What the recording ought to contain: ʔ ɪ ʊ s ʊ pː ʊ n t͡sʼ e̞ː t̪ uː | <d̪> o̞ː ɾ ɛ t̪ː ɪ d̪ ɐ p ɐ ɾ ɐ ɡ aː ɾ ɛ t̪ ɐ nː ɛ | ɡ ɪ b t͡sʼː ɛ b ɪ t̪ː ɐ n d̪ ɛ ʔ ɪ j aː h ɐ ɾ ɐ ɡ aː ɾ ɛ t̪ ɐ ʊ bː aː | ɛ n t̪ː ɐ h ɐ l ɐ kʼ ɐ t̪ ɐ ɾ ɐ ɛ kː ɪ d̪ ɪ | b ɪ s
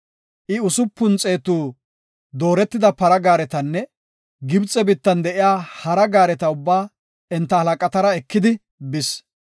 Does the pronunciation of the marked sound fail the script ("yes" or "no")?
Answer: no